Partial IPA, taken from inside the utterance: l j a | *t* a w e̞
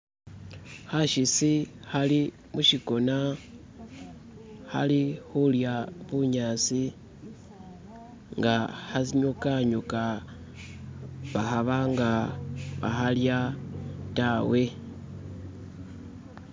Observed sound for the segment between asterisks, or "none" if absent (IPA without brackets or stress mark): t